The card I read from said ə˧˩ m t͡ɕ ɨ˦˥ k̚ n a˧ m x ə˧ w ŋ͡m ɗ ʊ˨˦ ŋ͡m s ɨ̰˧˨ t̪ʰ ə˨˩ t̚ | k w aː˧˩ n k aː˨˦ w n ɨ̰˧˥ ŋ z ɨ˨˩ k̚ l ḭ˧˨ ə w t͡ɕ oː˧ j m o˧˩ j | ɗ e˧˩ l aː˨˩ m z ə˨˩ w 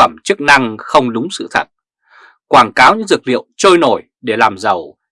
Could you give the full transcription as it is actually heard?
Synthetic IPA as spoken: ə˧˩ m t͡ɕ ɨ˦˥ k̚ n a˧ ŋ x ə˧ w ŋ͡m ɗ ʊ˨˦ ŋ͡m s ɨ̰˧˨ t̪ʰ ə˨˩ t̚ | k w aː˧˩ n k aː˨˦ w ɲ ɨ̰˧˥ ŋ z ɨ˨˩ k̚ l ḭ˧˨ ə w t͡ɕ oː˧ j n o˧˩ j | ɗ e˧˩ l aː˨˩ m z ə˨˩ w